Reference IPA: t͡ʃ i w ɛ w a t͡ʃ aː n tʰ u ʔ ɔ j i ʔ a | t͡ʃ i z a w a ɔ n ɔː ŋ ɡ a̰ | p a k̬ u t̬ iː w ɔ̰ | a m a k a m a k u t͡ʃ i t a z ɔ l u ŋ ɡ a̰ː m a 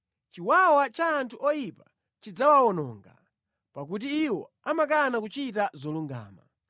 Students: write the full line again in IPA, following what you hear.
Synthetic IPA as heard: t͡ʃ i w a w a t͡ʃ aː n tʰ u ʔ ɔ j i p a | t͡ʃ i d͡z a w a ɔ n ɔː ŋ ɡ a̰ | p a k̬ u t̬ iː w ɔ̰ | a m a k a n a k u t͡ʃ i t a z ɔ l u ŋ ɡ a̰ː m a